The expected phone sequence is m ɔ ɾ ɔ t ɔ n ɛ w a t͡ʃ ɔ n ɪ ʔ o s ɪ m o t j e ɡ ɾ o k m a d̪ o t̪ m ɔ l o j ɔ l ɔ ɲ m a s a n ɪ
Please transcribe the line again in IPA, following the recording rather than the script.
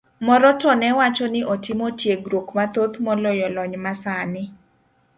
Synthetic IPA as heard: m ɔ ɾ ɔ t ɔ n ɛ w a t͡ʃ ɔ n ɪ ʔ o t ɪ m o t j e ɡ ɾ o k m a t̪ o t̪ m ɔ l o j ɔ l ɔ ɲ m a s a n ɪ

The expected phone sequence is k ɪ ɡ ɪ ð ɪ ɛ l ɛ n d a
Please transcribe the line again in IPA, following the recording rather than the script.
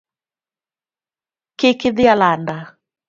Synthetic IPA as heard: k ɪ k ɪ ð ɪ a l a n d a

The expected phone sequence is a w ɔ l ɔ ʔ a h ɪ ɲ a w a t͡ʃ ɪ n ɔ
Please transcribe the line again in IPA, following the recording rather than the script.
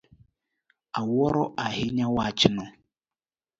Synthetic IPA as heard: a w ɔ ɾ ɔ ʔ a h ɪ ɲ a w a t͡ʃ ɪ n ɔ

